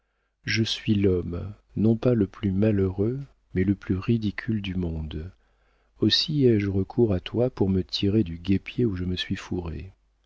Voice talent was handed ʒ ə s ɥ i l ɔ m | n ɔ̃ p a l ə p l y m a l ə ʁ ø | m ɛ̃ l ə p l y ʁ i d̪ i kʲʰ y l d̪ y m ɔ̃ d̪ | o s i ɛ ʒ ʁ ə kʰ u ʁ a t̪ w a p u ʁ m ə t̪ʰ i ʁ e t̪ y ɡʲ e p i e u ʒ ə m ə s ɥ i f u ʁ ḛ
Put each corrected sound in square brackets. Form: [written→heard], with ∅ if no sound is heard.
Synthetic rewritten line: ʒ ə s ɥ i l ɔ m | n ɔ̃ p a l ə p l y m a l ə ʁ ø | m [ɛ̃→ɛ] l ə p l y ʁ i d̪ i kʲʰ y l d̪ y m ɔ̃ d̪ | o s i ɛ ʒ ʁ ə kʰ u ʁ a t̪ w a p u ʁ m ə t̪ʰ i ʁ e [t̪→d̪] y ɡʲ e p [i→j] e u ʒ ə m ə s ɥ i f u ʁ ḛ